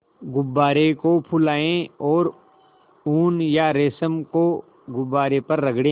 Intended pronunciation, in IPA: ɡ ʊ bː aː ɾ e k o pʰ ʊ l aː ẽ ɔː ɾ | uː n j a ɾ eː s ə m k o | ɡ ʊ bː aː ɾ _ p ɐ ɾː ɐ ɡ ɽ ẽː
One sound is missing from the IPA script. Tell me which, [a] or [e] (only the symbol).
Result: e